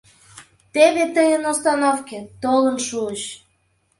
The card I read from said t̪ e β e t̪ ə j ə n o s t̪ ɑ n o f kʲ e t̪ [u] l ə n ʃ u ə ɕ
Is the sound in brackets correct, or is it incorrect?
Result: incorrect